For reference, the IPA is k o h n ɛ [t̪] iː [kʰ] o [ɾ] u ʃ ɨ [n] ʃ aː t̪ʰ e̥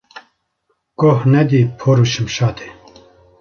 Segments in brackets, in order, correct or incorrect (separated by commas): incorrect, incorrect, correct, incorrect